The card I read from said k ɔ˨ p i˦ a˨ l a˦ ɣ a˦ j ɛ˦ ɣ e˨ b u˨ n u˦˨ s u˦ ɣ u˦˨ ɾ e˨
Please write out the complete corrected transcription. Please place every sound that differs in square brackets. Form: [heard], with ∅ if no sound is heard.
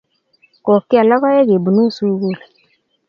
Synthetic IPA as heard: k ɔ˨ [k] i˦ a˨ l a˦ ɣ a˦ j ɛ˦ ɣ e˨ b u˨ n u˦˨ s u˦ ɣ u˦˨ [l] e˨